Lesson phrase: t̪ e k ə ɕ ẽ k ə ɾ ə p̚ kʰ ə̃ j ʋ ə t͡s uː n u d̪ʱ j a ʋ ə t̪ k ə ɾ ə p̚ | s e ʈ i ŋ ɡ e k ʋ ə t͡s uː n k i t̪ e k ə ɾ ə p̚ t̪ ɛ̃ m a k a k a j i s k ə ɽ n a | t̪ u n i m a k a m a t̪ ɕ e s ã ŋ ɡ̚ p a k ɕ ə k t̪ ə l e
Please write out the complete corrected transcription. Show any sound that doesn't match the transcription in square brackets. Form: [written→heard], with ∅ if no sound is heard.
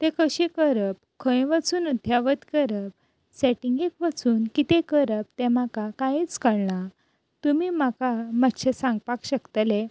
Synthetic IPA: t̪ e k ə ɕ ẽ k ə ɾ ə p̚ kʰ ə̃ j ʋ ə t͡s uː n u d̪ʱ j a ʋ ə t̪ k ə ɾ ə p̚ | s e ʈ i ŋ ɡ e k ʋ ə t͡s uː n k i t̪ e k ə ɾ ə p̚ t̪ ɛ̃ m a k a k a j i [s→t͡s] k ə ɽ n a | t̪ u [n→m] i m a k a m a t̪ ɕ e s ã ŋ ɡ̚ p a k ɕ ə k t̪ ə l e